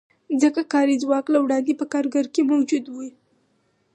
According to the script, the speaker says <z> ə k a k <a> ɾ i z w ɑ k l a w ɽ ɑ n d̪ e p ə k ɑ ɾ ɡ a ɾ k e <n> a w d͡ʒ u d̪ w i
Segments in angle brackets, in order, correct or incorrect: correct, incorrect: ɑ, incorrect: m

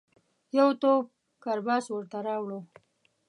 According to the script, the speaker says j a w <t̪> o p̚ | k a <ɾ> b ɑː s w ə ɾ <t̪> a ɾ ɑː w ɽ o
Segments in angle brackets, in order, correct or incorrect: correct, correct, correct

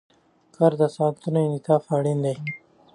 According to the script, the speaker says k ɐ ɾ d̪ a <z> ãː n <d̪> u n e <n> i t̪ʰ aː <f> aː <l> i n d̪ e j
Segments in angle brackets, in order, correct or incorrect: incorrect: s, incorrect: t̪, correct, correct, incorrect: ɽ

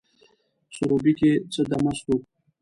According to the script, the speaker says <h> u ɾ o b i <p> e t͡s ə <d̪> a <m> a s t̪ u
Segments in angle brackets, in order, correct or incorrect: incorrect: s, incorrect: k, correct, correct

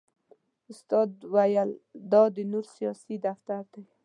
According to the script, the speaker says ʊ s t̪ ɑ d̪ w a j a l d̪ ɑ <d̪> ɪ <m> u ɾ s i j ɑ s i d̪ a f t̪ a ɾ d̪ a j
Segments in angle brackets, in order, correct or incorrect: correct, incorrect: n

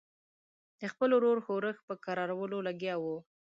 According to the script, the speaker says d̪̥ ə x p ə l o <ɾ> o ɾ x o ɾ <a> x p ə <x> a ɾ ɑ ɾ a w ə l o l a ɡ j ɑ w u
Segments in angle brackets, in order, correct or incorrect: correct, incorrect: ə, incorrect: k

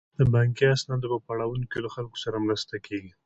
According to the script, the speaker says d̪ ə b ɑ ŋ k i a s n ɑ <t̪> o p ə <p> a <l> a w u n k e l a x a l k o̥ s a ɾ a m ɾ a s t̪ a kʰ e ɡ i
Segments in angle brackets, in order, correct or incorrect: incorrect: d̪, correct, incorrect: ɽ

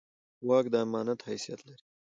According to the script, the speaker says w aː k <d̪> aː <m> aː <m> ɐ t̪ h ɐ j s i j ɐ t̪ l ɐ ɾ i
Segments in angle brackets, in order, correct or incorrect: correct, correct, incorrect: n

